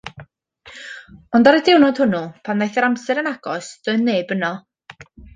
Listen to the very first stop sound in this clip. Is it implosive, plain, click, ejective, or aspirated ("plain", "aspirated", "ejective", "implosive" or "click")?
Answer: plain